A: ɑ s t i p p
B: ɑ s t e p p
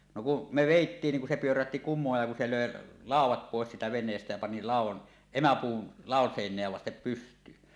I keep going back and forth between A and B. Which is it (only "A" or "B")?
B